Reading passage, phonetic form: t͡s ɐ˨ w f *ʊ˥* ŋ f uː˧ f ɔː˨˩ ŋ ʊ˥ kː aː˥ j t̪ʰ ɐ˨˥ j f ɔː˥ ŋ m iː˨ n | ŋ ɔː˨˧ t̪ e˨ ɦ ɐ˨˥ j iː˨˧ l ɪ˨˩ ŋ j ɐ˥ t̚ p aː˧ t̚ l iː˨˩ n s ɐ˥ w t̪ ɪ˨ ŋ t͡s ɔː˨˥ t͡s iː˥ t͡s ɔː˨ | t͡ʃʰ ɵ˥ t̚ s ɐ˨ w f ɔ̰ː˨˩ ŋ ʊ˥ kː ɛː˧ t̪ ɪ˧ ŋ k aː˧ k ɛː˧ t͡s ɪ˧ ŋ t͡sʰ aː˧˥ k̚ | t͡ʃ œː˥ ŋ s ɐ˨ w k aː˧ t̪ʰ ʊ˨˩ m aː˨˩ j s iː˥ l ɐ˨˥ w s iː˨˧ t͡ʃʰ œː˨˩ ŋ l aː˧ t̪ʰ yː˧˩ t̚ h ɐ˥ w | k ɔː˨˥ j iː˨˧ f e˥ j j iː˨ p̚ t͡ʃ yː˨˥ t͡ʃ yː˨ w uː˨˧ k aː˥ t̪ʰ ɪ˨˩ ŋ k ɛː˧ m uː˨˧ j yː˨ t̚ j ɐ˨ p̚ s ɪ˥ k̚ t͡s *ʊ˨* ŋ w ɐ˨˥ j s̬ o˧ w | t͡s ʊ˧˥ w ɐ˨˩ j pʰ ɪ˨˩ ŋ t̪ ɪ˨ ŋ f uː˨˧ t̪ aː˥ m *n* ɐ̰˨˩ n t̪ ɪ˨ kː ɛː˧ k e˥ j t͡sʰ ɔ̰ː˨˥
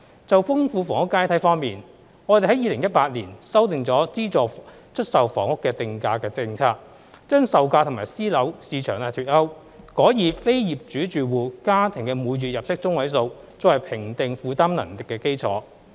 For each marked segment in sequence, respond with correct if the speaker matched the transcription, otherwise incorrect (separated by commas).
correct, incorrect, correct